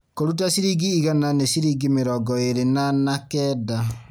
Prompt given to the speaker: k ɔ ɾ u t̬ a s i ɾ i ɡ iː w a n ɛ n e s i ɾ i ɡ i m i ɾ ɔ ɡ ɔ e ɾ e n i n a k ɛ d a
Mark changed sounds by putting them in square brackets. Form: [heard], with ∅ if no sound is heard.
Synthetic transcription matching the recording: k [o] ɾ u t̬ a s i ɾ i ɡ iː [ɣ] a n [a] n e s i ɾ i ɡ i m [e] ɾ ɔ ɡ ɔ e ɾ e n [a] n a k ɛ d a

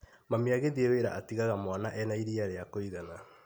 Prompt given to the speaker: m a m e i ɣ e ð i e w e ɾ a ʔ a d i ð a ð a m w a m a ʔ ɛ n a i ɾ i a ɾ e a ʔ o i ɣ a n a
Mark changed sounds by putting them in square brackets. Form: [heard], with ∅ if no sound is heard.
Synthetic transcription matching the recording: m a m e [a] ɣ e ð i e w e ɾ a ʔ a [t] i [ɣ] a [ɣ] a m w a [n] a ʔ ɛ n a i ɾ i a ɾ e a [k] o i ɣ a n a

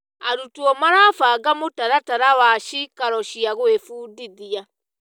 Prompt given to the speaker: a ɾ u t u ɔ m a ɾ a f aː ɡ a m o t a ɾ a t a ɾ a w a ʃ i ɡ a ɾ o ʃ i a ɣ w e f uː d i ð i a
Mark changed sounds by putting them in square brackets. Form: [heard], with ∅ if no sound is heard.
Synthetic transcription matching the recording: a ɾ u t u ɔ m a ɾ a f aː ɡ a m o t a ɾ a t a ɾ a w a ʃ i [k] a ɾ [ɔ] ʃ i a ɣ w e f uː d i ð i a

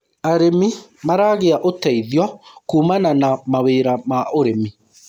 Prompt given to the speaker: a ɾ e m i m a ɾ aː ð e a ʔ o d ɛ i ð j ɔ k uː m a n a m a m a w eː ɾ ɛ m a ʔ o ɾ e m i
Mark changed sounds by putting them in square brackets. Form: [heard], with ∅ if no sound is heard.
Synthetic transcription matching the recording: a ɾ e m i m a ɾ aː [ɣ] e a ʔ o [t] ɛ i ð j ɔ k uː m a n a [n] a m a w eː ɾ [a] m a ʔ o ɾ e m i

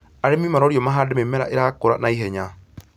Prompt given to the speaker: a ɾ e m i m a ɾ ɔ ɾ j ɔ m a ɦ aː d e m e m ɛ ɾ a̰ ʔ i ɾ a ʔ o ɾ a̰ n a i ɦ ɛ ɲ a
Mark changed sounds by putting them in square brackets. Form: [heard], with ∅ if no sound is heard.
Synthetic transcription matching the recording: a ɾ e m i m a ɾ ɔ ɾ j ɔ m a ɦ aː d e m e m ɛ ɾ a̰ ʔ [e] ɾ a [k] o ɾ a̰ n a i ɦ ɛ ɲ a

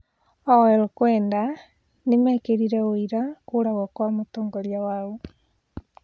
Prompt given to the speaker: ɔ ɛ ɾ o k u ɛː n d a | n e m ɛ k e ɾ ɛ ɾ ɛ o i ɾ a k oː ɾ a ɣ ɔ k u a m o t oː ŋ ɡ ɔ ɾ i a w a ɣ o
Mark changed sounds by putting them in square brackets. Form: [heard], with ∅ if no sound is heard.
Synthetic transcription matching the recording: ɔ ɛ ɾ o k [w] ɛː n d a | n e m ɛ k e ɾ [i] ɾ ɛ o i ɾ a k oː ɾ a ɣ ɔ k [w] a m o t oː ŋ ɡ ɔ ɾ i a w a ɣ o

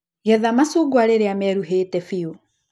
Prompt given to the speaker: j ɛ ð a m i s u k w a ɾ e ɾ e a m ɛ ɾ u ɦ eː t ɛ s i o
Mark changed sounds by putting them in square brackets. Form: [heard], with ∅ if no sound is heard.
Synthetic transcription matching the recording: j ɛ ð a m [a] s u [ɡ] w a ɾ e ɾ e a m ɛ ɾ u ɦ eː t ɛ [f] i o

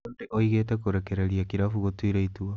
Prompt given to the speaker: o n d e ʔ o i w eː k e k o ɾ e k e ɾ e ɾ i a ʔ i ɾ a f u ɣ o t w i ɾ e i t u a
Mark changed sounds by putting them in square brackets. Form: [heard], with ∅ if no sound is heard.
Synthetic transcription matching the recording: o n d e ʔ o i [ɣ] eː [t] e k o ɾ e k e ɾ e ɾ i a [k] i ɾ a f u ɣ o t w i ɾ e i t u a

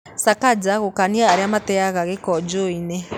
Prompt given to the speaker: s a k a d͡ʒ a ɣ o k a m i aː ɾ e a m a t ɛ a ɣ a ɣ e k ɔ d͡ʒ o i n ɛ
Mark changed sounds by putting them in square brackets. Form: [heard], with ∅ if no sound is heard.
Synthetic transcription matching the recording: s a k a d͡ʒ a ɣ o k a [n] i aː ɾ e a m a t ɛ a ɣ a ɣ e k ɔ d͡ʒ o i n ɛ

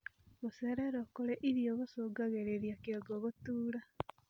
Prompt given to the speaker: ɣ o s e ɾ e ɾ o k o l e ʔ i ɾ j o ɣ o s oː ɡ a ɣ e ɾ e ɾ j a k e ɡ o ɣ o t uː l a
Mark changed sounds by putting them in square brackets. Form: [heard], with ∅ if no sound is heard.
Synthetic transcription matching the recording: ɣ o s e ɾ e ɾ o k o l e ʔ i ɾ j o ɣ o s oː ɡ a ɣ e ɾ e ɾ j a k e ɡ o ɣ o t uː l a

